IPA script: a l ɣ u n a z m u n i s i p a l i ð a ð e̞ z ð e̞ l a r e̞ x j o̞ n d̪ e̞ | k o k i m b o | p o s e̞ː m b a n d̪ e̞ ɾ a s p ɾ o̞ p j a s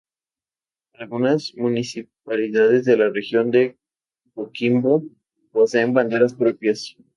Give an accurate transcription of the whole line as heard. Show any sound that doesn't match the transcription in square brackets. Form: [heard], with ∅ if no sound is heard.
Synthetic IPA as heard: a l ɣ u n a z m u n i s i p a l i ð a ð e̞ z ð e̞ l a r e̞ x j o̞ n d̪ e̞ | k o k i m b o | p o s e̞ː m b a n d̪ e̞ ɾ a s p ɾ o̞ p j a s